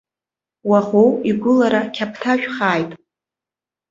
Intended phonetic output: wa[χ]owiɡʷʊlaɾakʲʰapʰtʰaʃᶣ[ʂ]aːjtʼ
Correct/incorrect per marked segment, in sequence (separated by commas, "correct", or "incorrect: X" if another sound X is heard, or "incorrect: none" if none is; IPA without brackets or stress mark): correct, incorrect: χ